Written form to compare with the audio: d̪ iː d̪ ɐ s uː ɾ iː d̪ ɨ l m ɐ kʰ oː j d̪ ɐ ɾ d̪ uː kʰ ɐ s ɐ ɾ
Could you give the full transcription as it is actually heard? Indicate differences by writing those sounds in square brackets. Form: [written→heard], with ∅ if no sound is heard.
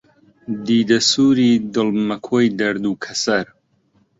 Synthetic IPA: d̪ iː d̪ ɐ s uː ɾ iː d̪ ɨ l m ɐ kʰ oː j d̪ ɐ ɾ d̪ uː kʰ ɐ s ɐ ɾ